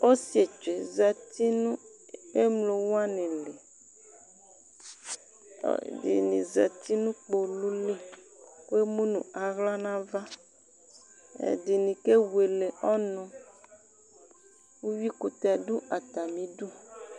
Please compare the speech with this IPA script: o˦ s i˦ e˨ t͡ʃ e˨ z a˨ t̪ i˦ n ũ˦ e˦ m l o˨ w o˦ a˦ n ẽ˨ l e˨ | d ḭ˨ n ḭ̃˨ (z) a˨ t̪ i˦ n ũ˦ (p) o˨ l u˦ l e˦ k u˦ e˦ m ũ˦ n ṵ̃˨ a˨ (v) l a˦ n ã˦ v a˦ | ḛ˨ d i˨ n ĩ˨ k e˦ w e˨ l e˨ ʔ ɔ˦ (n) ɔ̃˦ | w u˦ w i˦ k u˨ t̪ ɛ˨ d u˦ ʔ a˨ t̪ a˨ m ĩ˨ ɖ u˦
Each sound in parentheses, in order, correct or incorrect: correct, incorrect: k͡p, incorrect: ɣ, correct

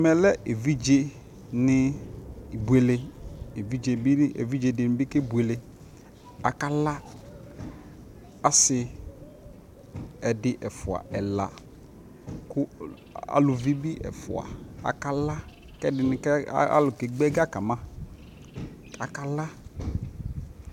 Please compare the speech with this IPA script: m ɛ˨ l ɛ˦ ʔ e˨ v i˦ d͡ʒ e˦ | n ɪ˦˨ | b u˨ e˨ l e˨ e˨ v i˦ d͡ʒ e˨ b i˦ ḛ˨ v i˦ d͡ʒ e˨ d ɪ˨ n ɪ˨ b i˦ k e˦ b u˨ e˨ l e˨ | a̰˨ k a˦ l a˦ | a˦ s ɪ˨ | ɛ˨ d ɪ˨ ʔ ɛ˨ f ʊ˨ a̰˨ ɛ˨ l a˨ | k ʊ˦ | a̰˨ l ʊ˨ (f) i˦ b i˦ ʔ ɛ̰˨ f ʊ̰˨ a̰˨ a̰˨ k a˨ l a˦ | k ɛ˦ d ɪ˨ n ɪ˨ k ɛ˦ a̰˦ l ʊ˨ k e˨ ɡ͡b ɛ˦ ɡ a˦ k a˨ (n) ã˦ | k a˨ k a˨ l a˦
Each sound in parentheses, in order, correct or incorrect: incorrect: v, incorrect: m

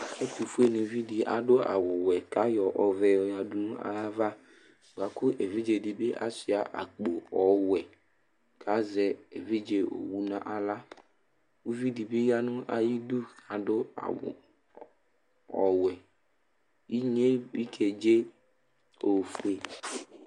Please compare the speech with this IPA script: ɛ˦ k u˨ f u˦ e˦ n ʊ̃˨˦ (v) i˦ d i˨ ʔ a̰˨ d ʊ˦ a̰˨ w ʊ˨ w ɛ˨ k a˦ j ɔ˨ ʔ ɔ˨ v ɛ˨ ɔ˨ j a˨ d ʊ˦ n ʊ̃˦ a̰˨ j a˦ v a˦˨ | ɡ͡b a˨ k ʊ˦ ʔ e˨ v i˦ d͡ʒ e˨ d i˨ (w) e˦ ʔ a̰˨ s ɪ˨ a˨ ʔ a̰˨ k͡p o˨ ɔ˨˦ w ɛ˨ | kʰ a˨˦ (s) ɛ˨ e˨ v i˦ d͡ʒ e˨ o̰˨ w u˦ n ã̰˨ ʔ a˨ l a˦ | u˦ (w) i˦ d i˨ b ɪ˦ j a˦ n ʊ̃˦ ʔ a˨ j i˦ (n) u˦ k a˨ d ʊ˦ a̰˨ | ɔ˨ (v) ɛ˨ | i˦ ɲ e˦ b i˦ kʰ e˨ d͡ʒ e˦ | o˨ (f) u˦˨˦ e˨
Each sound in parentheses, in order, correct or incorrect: correct, incorrect: b, incorrect: z, incorrect: v, incorrect: d, incorrect: w, correct

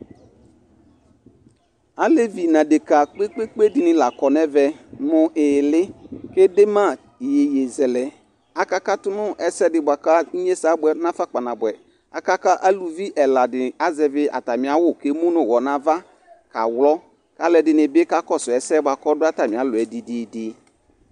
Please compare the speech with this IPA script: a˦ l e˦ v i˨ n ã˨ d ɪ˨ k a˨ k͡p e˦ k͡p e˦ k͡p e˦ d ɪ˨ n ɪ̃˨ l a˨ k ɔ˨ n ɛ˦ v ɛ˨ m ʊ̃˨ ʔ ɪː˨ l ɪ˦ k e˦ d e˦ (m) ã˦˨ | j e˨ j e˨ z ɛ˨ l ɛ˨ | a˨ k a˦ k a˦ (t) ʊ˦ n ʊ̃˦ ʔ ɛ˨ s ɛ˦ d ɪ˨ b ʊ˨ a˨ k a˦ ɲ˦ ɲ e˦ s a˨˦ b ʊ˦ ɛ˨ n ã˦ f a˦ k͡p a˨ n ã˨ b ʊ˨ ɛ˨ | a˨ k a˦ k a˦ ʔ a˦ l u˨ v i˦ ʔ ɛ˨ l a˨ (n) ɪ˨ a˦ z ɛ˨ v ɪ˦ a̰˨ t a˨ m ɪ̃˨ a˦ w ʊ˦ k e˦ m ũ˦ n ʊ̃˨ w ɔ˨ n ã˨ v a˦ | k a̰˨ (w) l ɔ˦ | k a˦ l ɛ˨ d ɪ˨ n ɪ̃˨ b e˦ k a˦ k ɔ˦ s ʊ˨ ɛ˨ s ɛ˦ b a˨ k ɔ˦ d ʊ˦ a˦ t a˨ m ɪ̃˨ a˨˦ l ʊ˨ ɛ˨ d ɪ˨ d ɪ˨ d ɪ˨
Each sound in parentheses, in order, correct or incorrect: correct, correct, incorrect: d, correct

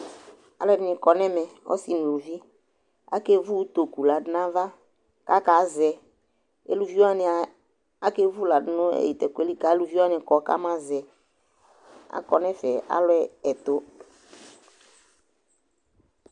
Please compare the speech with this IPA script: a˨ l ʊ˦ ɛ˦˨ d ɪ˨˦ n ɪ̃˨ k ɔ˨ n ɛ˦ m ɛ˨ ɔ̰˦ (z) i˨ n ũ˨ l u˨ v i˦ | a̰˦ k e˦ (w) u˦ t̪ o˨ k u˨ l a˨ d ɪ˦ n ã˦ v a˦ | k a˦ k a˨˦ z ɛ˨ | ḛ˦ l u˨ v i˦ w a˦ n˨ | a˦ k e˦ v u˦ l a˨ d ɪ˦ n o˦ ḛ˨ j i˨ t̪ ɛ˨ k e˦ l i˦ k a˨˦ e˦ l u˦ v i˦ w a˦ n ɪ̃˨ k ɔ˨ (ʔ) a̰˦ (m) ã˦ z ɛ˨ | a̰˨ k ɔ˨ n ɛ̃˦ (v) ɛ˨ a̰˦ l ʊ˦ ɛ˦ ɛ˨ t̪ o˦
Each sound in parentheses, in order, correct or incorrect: incorrect: s, incorrect: v, incorrect: k, correct, incorrect: f

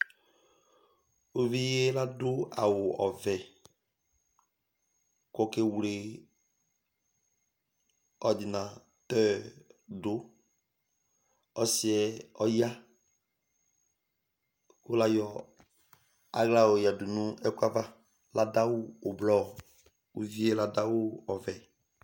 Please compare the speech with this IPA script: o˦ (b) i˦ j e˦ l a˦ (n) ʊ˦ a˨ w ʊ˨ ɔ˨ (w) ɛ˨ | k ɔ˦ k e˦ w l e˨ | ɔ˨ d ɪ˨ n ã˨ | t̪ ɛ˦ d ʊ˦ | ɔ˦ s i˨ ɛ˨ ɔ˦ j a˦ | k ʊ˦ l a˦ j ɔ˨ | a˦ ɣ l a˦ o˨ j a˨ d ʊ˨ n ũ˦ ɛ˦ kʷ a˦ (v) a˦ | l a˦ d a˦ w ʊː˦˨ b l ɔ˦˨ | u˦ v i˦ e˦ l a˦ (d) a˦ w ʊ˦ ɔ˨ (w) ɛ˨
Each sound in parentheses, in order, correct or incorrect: incorrect: v, incorrect: d, incorrect: v, correct, correct, incorrect: v

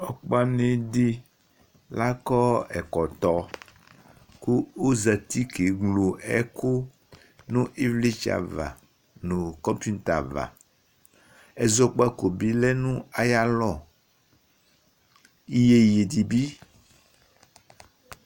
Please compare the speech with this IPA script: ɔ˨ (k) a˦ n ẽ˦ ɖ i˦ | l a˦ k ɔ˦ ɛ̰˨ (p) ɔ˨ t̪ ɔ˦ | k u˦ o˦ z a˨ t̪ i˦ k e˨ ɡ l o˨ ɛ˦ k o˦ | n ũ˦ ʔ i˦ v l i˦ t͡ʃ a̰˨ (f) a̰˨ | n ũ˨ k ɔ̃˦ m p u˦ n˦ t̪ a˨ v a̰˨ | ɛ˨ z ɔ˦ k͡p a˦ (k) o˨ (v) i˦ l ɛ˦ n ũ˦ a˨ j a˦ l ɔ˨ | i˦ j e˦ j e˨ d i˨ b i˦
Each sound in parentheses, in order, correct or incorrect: incorrect: k͡p, incorrect: k, incorrect: v, correct, incorrect: b

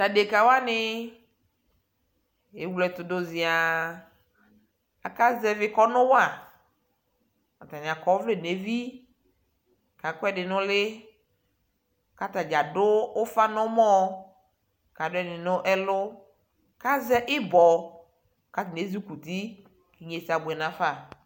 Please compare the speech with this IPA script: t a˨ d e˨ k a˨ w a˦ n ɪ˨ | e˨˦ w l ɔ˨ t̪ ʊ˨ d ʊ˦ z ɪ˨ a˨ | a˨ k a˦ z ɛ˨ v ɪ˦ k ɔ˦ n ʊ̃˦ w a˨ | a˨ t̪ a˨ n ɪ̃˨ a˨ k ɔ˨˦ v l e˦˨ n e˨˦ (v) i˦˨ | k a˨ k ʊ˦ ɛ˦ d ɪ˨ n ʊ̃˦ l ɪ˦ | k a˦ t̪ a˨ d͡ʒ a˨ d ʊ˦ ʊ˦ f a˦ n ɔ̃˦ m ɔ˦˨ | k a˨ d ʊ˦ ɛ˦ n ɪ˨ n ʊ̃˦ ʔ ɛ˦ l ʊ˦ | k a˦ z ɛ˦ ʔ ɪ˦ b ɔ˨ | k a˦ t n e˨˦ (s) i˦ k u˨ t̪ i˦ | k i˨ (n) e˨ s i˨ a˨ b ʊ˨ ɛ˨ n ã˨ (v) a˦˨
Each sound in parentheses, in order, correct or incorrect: correct, incorrect: z, incorrect: ɲ, incorrect: f

